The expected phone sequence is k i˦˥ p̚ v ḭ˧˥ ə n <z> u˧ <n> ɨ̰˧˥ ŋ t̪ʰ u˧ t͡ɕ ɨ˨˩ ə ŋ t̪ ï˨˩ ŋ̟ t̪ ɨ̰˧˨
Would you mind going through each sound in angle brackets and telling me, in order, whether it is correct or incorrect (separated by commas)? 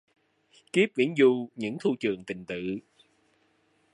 correct, incorrect